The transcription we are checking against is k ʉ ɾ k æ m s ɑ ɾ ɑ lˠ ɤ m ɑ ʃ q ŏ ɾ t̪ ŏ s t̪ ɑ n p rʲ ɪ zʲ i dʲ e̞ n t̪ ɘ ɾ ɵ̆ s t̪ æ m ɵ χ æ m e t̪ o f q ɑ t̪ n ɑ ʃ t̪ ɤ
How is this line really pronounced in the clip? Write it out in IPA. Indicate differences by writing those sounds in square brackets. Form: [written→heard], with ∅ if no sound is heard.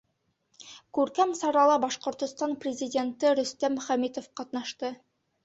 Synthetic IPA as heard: k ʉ ɾ k æ m s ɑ ɾ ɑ lˠ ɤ [m→b] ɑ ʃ q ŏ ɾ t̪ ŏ s t̪ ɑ n p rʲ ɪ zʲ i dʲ e̞ n t̪ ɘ ɾ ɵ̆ s t̪ æ m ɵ χ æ m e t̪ o f q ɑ t̪ n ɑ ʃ t̪ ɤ